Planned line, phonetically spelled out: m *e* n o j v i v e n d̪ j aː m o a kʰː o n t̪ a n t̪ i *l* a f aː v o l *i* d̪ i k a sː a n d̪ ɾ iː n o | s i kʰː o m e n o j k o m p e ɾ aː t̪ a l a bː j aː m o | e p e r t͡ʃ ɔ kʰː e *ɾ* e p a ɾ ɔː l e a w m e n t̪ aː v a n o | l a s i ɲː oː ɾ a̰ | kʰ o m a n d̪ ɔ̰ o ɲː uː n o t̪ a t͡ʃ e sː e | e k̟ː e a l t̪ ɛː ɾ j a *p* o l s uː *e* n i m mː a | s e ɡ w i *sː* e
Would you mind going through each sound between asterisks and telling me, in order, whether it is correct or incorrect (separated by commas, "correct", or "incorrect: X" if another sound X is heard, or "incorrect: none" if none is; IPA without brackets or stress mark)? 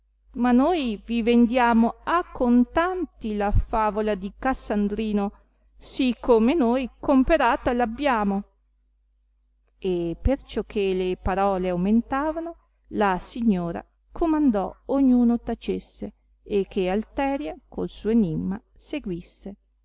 incorrect: a, correct, incorrect: a, incorrect: l, incorrect: k, correct, correct